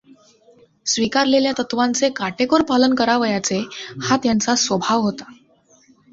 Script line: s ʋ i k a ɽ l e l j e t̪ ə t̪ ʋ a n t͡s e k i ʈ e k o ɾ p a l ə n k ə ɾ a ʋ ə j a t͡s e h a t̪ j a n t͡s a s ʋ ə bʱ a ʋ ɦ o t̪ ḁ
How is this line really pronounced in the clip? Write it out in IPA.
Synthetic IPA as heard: s ʋ i k a ɾ l e l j a t̪ ə t̪ ʋ a n t͡s e k a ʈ e k o ɾ p a l ə n k ə ɾ a ʋ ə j a t͡s e h a t̪ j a n t͡s a s ʋ ə bʱ a ʋ ɦ o t̪ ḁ